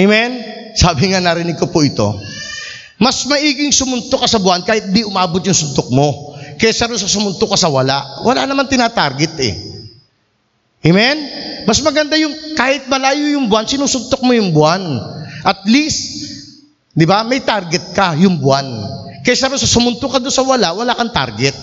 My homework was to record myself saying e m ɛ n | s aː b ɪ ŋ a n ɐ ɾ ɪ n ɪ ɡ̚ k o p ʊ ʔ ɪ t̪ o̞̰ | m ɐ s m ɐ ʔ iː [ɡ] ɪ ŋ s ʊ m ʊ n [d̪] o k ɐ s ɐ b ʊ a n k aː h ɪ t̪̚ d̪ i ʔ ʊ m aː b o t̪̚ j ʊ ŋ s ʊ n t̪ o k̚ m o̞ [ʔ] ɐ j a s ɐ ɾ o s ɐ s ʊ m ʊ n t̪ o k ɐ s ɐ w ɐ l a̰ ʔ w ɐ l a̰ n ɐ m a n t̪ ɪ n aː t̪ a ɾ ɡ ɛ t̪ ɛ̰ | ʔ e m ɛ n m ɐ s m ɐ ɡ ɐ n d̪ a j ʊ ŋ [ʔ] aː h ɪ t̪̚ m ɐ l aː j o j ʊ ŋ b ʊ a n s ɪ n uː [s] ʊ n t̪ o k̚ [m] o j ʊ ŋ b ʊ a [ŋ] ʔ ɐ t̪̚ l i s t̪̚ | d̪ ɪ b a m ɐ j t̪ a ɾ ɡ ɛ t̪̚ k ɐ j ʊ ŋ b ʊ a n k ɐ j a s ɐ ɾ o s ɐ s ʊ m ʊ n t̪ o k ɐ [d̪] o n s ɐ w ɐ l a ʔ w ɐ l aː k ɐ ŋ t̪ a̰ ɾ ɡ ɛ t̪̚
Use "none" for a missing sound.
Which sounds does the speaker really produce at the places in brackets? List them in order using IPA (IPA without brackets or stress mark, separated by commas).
ɡ, t̪, k, k, s, m, n, d̪